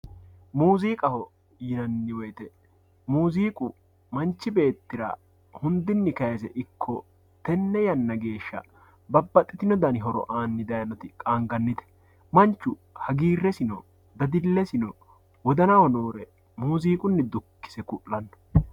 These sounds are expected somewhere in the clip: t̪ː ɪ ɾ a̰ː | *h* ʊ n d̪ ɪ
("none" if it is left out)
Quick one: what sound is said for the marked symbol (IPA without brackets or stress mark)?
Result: h